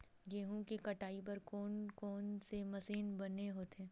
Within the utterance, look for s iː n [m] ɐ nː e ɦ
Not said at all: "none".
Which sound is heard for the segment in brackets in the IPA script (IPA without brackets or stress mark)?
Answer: b